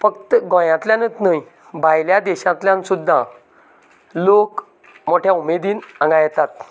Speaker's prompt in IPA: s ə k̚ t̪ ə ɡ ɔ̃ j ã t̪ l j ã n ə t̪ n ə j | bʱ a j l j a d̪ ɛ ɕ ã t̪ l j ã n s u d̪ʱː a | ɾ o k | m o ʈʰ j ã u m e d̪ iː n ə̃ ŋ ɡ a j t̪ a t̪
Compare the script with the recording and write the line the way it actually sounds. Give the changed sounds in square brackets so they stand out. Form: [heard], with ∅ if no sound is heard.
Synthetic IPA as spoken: [f] ə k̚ t̪ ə ɡ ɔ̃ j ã t̪ l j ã n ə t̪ n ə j | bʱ a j l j a d̪ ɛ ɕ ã t̪ l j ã n s u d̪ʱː a | [l] o k | m o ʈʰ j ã u m e d̪ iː n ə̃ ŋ ɡ a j t̪ a t̪